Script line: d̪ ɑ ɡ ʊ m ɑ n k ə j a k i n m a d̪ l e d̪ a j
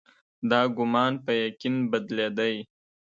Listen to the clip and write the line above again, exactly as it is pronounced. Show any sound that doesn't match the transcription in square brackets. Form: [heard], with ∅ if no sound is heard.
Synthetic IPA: d̪ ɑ ɡ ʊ m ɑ n [p] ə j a k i n [b] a d̪ l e d̪ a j